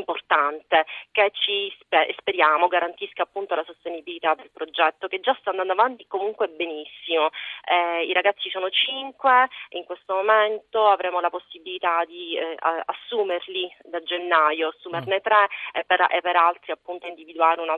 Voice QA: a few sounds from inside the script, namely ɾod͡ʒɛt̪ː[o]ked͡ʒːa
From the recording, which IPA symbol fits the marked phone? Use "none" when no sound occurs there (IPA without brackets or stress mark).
o